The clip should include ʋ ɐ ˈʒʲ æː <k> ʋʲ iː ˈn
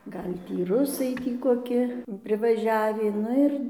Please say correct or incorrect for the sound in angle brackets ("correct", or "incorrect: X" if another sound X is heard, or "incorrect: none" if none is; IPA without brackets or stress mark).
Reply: incorrect: none